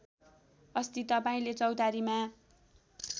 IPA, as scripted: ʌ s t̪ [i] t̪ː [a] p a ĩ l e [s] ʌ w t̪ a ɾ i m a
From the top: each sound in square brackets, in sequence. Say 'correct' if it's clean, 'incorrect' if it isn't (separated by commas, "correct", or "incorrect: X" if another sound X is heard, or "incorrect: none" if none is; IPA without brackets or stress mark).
correct, incorrect: ʌ, incorrect: t͡s